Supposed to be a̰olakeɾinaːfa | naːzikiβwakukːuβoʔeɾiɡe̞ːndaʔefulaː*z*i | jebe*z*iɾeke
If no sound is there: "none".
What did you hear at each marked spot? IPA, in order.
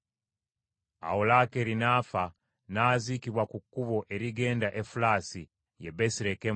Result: s, s

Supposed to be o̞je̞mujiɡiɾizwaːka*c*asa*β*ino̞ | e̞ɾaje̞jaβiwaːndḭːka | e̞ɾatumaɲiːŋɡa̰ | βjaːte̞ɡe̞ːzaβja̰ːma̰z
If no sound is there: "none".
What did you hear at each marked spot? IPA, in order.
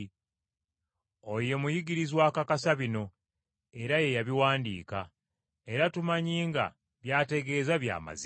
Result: k, β

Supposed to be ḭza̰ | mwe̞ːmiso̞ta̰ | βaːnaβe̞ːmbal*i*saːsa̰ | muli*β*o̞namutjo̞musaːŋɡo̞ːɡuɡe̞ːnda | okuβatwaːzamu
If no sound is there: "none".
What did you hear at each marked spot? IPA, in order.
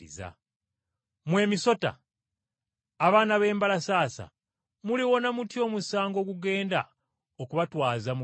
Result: a, w

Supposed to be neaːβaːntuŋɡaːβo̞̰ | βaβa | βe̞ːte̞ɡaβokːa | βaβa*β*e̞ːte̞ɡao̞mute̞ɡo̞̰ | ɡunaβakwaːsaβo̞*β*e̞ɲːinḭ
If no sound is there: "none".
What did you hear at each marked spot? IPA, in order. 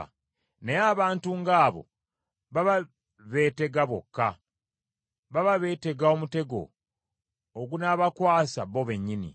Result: β, β

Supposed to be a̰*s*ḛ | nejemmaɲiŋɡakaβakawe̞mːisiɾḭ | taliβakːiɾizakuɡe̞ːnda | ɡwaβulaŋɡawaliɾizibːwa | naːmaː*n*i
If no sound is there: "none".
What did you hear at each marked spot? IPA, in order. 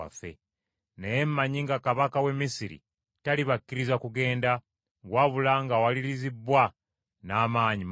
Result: f, ɲ

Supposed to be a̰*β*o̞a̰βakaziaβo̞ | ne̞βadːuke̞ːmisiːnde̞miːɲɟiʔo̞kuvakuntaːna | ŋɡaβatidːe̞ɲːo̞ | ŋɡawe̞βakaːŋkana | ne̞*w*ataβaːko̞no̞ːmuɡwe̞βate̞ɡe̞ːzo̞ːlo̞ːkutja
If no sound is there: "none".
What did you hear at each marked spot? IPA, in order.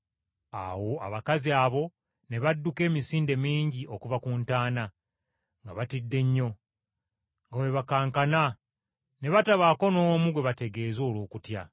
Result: w, β

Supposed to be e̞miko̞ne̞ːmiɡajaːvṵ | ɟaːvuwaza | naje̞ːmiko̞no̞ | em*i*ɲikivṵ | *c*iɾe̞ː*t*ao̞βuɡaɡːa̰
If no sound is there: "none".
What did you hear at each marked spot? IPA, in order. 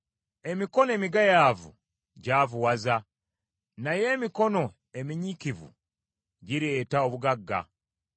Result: i, ɟ, t

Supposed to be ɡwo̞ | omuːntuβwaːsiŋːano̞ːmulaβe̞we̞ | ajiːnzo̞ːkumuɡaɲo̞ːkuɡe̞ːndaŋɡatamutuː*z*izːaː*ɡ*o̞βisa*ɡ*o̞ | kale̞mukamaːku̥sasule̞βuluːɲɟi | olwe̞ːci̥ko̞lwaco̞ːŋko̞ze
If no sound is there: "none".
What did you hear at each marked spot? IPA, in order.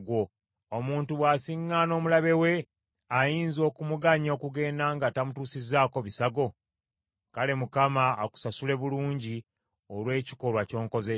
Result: s, k, ɡ

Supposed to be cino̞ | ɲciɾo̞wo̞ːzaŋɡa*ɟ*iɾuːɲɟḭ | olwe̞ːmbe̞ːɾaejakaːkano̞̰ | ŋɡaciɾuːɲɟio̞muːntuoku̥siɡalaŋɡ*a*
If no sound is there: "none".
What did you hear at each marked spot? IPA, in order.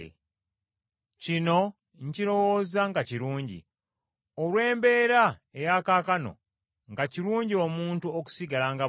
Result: c, a

